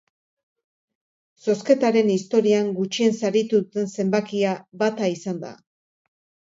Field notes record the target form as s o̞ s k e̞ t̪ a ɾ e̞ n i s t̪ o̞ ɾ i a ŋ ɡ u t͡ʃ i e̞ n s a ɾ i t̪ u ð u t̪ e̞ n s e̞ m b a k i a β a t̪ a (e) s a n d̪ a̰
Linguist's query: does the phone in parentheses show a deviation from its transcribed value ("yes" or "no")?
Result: yes